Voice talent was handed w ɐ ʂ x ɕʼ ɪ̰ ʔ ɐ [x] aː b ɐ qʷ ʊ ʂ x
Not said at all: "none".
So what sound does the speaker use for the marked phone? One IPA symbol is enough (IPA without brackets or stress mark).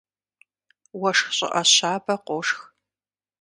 ɕ